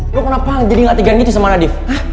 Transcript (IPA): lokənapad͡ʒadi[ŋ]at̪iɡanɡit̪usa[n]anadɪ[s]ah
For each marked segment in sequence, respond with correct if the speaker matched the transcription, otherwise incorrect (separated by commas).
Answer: correct, incorrect, incorrect